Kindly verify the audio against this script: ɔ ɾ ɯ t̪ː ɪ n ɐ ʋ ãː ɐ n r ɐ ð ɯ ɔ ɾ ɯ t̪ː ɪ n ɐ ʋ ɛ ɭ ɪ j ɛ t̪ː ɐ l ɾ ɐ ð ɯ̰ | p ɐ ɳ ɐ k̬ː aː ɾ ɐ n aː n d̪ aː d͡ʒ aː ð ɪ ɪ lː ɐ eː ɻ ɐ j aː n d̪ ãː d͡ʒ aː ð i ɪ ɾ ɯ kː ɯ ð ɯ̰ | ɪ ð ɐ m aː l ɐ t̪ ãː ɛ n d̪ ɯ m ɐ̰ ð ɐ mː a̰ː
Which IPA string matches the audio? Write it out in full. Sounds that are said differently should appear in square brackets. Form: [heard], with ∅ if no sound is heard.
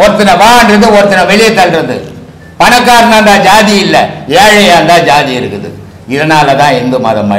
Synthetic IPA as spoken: ɔ ɾ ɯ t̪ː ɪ n ɐ ʋ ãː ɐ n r ɐ ð ɯ ɔ ɾ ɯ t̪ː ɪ n ɐ ʋ ɛ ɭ ɪ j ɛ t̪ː ɐ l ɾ ɐ ð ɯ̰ | p ɐ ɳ ɐ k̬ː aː ɾ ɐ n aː n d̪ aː d͡ʒ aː ð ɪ ɪ lː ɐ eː ɻ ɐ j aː n d̪ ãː d͡ʒ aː ð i ɪ ɾ ɯ kː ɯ ð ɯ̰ | ɪ ð ɐ [n] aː l ɐ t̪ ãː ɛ n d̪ ɯ m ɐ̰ ð ɐ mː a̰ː